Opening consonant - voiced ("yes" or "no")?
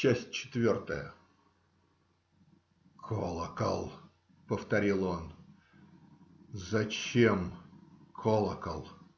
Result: no